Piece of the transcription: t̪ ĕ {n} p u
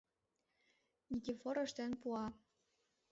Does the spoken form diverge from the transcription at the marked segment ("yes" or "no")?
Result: no